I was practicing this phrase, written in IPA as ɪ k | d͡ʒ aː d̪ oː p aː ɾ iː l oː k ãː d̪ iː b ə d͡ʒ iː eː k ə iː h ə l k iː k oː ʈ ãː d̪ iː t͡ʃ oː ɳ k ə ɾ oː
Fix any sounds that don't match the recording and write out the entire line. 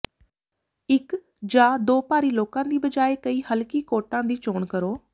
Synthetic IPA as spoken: ɪ k | d͡ʒ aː d̪ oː p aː ɾ iː l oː k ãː d̪ iː b ə d͡ʒ aː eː k ə iː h ə l k iː k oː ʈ ãː d̪ iː t͡ʃ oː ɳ k ə ɾ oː

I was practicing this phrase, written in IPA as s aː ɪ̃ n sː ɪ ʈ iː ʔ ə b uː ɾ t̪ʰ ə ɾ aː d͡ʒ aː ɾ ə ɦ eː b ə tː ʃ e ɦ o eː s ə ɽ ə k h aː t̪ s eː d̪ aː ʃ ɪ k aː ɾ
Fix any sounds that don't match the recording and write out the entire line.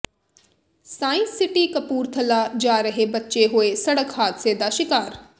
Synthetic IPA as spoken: s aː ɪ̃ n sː ɪ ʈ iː k ə p uː ɾ t̪ʰ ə l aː d͡ʒ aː ɾ ə ɦ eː b ə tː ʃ e ɦ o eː s ə ɽ ə k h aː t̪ s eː d̪ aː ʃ ɪ k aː ɾ

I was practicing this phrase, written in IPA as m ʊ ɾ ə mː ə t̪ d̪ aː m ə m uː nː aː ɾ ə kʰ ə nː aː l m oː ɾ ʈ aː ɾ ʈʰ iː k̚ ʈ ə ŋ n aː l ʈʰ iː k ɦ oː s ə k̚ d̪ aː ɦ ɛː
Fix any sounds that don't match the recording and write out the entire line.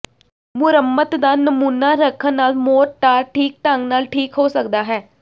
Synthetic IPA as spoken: m ʊ ɾ ə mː ə t̪ d̪ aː n ə m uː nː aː ɾ ə kʰ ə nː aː l m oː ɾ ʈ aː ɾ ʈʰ iː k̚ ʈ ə ŋ n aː l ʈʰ iː k ɦ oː s ə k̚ d̪ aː ɦ ɛː

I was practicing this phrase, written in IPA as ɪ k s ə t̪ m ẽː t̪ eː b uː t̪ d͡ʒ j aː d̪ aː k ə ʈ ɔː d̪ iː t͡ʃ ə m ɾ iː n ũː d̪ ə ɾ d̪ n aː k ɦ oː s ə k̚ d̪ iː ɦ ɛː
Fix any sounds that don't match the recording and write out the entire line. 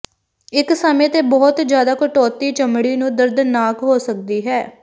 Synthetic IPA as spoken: ɪ k s ə m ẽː t̪ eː b ɔː t̪ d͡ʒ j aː d̪ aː k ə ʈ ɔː t̪ iː t͡ʃ ə m ɽ iː n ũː d̪ ə ɾ d̪ n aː k ɦ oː s ə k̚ d̪ iː ɦ ɛː

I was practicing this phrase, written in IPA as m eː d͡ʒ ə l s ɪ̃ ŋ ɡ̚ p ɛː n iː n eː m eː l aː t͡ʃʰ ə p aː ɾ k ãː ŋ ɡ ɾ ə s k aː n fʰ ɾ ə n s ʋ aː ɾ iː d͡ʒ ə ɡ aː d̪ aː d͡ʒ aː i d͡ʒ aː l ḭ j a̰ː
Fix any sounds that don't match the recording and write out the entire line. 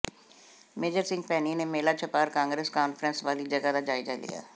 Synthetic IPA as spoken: m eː d͡ʒ ə ɾ s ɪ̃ ŋ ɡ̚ p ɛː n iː n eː m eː l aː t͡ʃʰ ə p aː ɾ k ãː ŋ ɡ ɾ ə s k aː n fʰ ɾ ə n s ʋ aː l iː d͡ʒ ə ɡ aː d̪ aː d͡ʒ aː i d͡ʒ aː l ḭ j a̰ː

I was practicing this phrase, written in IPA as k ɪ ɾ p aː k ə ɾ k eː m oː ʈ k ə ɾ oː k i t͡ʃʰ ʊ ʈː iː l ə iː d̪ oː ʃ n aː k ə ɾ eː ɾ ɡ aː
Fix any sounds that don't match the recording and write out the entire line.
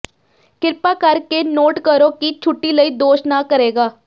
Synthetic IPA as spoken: k ɪ ɾ p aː k ə ɾ k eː n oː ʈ k ə ɾ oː k i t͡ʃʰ ʊ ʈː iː l ə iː d̪ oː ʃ n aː k ə ɾ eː ɡ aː

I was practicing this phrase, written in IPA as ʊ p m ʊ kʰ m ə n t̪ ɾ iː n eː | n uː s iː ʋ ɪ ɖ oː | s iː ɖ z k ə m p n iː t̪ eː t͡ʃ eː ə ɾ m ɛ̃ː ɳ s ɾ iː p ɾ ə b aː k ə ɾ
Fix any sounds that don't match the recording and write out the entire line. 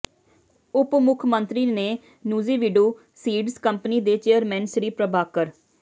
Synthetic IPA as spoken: ʊ p m ʊ kʰ m ə n t̪ ɾ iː n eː | n uː z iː ʋ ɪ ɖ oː | s iː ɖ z k ə m p n iː d̪ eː t͡ʃ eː ə ɾ m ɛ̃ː n s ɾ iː p ɾ ə b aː k ə ɾ

